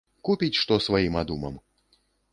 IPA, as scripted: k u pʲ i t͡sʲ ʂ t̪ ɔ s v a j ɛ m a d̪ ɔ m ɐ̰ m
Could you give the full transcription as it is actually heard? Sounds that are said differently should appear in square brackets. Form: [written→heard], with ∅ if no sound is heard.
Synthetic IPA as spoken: k u pʲ i t͡sʲ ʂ t̪ ɔ s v a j [ɛ→i] m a d̪ [ɔ→u] m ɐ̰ m